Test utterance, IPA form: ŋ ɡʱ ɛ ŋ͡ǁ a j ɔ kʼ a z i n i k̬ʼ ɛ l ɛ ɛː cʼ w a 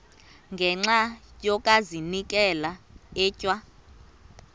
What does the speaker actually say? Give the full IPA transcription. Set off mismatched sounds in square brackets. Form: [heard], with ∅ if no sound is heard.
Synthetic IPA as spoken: ŋ ɡʱ ɛ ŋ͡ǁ a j ɔ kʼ a z i n i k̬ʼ ɛ l [a] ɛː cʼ w a